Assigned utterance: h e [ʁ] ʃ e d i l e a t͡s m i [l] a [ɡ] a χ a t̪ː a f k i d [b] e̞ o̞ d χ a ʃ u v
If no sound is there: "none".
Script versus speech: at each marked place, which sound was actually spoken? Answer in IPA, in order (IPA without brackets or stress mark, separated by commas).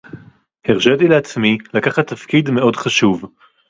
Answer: ʁ, l, k, m